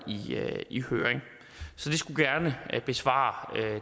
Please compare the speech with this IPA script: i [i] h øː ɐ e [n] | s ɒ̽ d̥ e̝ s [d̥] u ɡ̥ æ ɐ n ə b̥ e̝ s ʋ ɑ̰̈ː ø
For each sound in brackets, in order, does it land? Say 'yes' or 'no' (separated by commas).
yes, no, no